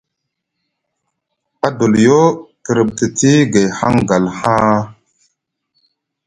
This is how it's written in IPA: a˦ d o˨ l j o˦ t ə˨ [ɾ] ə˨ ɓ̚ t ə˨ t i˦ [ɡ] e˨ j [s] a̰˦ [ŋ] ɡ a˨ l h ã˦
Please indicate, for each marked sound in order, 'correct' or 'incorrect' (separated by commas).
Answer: correct, correct, incorrect, correct